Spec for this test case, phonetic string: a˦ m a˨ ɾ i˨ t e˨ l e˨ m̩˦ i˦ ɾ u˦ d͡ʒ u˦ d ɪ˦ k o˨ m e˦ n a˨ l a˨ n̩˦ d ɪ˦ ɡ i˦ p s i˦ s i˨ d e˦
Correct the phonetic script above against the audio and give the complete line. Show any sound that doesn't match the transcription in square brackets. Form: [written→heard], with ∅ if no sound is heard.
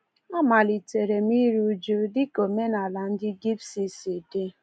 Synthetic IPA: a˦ m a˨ [ɾ→l] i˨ t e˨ [l→ɾ] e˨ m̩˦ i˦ ɾ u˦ d͡ʒ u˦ d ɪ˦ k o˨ m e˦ n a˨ l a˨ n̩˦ d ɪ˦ ɡ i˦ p s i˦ s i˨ d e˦

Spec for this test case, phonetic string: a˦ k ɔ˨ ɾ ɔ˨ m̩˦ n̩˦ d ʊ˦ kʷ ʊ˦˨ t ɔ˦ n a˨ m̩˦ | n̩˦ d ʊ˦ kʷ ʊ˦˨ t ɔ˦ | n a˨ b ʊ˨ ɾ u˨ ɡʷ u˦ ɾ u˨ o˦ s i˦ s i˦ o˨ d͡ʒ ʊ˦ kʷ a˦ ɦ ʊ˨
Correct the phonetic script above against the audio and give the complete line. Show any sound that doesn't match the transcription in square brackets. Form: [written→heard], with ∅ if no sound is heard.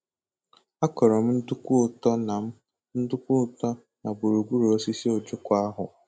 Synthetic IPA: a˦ k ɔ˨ ɾ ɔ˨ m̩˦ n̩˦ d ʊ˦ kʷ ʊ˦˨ t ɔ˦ n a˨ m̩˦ | n̩˦ d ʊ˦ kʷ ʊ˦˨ t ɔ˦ | n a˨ b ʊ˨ ɾ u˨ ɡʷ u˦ ɾ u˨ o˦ s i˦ s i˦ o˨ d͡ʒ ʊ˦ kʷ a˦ ɦ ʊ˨

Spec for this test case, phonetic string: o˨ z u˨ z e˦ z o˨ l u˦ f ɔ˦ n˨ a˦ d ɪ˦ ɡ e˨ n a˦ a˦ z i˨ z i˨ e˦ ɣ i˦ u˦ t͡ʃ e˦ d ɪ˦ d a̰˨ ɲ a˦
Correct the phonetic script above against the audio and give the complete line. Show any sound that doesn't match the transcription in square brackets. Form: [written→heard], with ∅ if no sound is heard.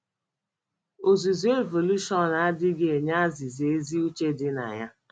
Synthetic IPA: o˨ z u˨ z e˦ [z→v] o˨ l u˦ [f→ʃ] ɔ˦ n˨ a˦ d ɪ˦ ɡ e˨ [n→ɲ] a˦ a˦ z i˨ z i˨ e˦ [ɣ→z] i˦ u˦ t͡ʃ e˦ d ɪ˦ [d→n] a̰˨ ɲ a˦

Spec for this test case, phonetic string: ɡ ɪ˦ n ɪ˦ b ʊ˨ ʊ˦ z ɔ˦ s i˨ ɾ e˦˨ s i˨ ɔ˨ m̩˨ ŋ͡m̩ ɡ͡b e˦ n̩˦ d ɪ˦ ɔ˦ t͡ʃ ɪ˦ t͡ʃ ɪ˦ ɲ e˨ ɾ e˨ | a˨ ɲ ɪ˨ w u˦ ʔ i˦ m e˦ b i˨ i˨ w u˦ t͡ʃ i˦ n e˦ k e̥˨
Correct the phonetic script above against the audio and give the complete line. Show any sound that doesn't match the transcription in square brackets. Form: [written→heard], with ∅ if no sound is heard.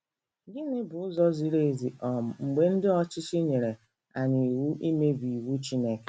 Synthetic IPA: ɡ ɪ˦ n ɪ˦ b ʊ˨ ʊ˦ z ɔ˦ [s→z] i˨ ɾ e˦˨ [s→z] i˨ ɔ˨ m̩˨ ŋ͡m̩ ɡ͡b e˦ n̩˦ d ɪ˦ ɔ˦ t͡ʃ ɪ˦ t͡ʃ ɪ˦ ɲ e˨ ɾ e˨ | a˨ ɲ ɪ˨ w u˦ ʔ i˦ m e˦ b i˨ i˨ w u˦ t͡ʃ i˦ n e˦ k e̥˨

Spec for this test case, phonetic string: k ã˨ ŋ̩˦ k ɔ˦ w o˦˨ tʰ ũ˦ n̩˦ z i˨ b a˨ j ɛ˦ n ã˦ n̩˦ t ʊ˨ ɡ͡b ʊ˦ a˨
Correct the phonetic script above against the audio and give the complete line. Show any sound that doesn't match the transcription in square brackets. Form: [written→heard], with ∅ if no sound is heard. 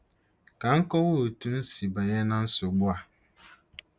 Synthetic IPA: k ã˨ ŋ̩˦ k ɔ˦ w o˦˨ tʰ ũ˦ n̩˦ [z→s] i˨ b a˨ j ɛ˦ n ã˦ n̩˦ [t→s] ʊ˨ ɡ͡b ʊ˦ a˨

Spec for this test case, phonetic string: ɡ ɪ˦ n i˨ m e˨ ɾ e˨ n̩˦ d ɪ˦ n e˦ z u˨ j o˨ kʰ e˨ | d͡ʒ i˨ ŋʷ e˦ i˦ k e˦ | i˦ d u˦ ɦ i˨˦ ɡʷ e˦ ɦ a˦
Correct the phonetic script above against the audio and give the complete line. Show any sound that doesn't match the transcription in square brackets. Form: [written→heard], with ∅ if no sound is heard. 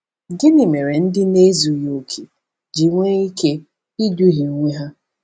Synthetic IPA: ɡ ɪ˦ n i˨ m e˨ ɾ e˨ n̩˦ d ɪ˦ n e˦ z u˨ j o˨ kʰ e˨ | d͡ʒ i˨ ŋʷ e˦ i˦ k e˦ | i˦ d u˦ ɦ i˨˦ [ɡʷ→ŋʷ] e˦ ɦ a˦

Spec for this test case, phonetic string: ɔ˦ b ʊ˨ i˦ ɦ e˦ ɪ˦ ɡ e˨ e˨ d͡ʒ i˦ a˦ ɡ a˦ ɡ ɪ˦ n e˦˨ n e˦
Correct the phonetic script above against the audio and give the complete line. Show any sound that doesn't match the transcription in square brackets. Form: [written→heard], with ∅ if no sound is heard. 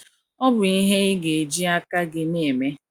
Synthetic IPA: ɔ˦ b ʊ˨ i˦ ɦ e˦ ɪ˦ ɡ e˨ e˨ d͡ʒ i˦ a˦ [ɡ→k] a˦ ɡ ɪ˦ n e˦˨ [n→m] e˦

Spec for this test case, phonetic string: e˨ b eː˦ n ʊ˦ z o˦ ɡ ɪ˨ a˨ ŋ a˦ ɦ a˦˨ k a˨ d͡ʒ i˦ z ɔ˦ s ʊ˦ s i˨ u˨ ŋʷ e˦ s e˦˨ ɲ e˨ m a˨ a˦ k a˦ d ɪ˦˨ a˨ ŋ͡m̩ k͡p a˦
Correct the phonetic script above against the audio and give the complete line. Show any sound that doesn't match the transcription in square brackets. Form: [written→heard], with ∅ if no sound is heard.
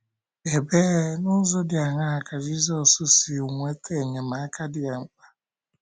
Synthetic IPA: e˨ b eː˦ n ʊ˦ z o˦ [ɡ→d] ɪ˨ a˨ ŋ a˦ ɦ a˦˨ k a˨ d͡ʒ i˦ z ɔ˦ s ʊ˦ s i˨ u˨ ŋʷ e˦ [s→t] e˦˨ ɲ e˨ m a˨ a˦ k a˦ d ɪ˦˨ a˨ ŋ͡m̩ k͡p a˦

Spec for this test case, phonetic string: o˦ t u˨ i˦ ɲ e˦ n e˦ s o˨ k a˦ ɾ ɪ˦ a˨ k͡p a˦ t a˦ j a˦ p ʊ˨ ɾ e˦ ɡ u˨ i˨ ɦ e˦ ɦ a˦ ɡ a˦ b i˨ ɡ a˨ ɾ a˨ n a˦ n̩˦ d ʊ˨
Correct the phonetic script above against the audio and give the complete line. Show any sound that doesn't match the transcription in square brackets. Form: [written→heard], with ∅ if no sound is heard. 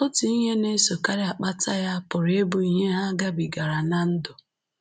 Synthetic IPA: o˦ t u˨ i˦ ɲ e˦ n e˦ s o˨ k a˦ ɾ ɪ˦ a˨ k͡p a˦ t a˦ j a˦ p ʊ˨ ɾ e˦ [ɡ→b] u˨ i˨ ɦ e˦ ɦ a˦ ɡ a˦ b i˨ ɡ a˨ ɾ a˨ n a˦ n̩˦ d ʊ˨

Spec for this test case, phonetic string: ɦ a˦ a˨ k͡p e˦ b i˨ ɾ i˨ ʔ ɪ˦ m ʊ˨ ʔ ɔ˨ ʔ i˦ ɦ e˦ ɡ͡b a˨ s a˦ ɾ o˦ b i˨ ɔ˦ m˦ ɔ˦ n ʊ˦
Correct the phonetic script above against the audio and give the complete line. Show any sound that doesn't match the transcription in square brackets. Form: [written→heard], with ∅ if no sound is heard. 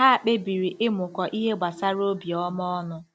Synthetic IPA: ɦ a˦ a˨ k͡p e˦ b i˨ ɾ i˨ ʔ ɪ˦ m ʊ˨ [ʔ→k] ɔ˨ ʔ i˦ ɦ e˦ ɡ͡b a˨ s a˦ ɾ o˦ b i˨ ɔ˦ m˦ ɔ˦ n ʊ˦

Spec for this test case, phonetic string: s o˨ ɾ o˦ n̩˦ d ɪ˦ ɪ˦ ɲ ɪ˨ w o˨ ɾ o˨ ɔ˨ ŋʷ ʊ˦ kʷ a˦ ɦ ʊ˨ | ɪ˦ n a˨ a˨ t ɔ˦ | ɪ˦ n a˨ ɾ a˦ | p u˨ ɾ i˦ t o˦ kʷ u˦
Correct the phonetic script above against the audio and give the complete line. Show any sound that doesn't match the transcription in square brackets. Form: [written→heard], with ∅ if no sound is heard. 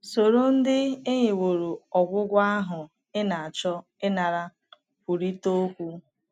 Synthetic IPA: s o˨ ɾ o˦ n̩˦ d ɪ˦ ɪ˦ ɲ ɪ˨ w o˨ ɾ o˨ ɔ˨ [ŋʷ→ɡʷ] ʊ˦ [kʷ→ɡʷ] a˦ ɦ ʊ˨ | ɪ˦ n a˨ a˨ [t→t͡ʃ] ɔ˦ | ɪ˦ n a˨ ɾ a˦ | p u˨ ɾ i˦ t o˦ kʷ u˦

